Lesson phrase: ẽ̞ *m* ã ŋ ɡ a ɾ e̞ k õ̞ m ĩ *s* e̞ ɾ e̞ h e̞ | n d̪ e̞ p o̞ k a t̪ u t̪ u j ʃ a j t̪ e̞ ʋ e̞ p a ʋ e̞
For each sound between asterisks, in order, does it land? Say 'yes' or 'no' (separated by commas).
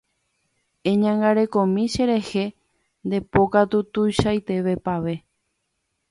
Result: no, no